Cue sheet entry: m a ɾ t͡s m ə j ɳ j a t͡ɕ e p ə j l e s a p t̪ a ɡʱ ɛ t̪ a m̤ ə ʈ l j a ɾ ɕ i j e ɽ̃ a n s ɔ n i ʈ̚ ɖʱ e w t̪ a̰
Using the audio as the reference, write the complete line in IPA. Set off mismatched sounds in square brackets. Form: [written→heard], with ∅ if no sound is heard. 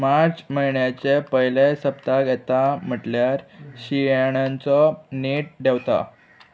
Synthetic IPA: m a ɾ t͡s m ə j ɳ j a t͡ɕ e p ə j l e s [a→ə] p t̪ a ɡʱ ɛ t̪ a m̤ ə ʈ l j a ɾ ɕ i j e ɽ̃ a n [s→t͡s] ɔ n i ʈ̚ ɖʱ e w t̪ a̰